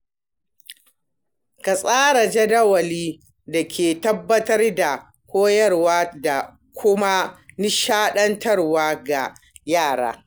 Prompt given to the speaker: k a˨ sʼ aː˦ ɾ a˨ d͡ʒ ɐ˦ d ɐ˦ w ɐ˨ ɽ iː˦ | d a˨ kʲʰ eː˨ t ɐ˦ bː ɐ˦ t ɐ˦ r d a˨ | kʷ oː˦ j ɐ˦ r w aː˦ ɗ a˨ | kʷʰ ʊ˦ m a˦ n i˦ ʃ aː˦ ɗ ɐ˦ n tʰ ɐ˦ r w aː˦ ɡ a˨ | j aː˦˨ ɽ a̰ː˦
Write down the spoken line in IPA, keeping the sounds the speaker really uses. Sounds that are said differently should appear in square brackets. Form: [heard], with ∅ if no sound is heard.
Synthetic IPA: k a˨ sʼ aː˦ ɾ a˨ d͡ʒ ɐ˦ d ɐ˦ w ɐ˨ [l] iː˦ | d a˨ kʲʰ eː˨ t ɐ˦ bː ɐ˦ t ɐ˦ r d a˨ | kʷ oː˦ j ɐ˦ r w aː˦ [d] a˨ | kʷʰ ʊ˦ m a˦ n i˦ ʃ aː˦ ɗ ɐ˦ n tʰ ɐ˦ r w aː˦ ɡ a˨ | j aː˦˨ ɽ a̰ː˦